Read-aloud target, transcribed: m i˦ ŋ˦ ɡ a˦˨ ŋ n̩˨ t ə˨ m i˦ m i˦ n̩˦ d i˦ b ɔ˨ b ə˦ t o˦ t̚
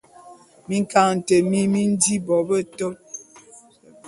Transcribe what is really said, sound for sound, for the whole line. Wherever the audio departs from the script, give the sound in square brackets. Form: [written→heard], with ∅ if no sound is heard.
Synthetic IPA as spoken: m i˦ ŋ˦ [ɡ→k] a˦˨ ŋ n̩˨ t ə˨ m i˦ m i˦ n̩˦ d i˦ b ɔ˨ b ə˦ t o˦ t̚